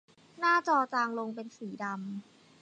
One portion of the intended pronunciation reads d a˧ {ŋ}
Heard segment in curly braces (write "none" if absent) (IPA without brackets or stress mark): m